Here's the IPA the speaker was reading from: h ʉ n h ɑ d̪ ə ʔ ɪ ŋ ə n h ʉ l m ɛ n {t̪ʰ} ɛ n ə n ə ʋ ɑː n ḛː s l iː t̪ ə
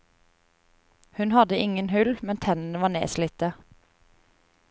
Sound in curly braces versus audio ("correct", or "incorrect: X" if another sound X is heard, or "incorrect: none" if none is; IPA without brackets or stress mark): correct